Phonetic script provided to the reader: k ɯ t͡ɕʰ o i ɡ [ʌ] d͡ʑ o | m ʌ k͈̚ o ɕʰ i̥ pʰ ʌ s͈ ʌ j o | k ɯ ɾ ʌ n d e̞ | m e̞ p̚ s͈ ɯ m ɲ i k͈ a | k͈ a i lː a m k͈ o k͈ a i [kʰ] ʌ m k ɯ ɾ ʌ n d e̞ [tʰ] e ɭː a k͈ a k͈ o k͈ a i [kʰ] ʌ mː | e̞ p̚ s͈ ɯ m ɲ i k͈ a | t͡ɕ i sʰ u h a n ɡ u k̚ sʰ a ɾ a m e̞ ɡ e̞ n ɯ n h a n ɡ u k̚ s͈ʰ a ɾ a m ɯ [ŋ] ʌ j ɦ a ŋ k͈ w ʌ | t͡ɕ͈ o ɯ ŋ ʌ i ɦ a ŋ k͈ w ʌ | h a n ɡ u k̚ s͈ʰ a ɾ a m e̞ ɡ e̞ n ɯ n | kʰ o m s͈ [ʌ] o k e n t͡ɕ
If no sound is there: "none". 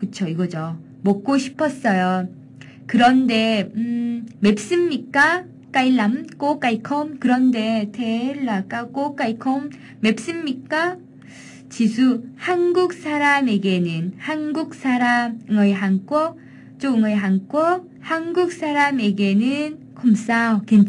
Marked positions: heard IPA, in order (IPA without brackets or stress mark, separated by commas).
ʌ, kʰ, tʰ, kʰ, ŋ, a